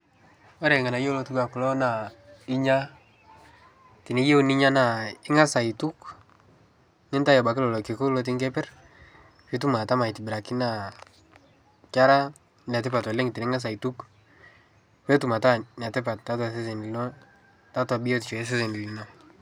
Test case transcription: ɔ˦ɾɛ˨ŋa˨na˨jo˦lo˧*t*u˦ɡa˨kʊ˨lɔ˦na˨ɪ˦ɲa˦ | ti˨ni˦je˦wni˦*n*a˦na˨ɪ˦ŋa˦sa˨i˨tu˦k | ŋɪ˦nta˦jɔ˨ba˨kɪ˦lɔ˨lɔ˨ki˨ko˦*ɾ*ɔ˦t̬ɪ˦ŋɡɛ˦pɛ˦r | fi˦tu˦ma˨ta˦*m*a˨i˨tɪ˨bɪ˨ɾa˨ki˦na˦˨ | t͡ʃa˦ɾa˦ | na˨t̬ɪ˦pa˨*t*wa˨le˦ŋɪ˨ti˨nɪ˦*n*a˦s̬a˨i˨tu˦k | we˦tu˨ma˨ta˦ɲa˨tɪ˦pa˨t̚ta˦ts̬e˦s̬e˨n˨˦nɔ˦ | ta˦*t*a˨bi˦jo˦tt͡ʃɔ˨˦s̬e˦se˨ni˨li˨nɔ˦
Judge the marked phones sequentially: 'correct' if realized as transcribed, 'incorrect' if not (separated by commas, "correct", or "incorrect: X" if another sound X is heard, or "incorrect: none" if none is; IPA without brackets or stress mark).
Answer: correct, incorrect: ɲ, incorrect: l, correct, correct, incorrect: ŋ, correct